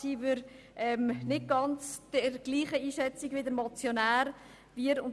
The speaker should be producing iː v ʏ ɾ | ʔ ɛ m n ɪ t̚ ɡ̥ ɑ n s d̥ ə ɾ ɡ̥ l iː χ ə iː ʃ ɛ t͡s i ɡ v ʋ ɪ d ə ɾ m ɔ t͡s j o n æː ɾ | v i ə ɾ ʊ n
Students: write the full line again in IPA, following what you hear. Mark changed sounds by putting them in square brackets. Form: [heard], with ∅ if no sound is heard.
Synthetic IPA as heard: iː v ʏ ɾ | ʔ ɛ m n ɪ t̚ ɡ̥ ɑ n [t͡s] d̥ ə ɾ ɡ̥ l iː χ ə iː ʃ ɛ t͡s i ɡ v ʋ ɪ d ə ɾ m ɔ t͡s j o n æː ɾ | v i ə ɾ ʊ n